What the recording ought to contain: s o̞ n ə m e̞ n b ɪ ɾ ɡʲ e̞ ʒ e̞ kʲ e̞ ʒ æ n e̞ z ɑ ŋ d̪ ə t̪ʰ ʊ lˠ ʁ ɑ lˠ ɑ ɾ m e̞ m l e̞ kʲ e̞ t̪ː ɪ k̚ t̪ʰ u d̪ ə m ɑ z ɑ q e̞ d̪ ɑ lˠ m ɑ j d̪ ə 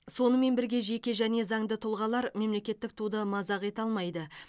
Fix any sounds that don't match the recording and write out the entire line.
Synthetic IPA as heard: s o̞ n ə m e̞ n b ɪ ɾ ɡʲ e̞ ʒ e̞ kʲ e̞ ʒ æ n e̞ z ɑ ŋ d̪ ə t̪ʰ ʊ lˠ ʁ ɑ lˠ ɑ ɾ m e̞ m l e̞ kʲ e̞ t̪ː ɪ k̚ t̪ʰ u d̪ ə m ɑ z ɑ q e̞ t̪ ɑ lˠ m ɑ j d̪ ə